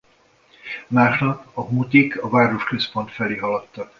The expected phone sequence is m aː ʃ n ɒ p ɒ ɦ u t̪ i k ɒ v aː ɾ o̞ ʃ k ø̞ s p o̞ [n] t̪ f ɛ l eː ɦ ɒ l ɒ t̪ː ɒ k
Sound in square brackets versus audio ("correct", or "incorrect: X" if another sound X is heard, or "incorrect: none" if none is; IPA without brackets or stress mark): correct